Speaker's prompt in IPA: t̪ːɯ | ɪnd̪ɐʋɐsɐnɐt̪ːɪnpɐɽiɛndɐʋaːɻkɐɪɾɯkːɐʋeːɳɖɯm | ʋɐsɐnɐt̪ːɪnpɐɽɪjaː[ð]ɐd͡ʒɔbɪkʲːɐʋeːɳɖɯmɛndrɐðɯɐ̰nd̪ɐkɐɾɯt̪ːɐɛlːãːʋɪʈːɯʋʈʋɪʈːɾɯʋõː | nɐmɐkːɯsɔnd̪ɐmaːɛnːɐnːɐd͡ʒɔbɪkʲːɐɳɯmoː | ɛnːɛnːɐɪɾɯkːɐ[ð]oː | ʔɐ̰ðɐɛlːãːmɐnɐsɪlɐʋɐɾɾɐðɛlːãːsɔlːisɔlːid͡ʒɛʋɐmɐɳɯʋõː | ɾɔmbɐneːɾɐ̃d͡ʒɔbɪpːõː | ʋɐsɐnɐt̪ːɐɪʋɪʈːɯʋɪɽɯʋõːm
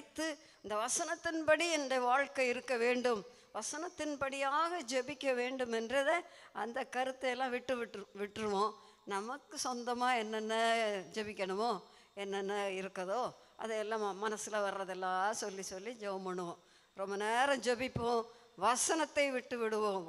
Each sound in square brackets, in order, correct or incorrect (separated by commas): incorrect, correct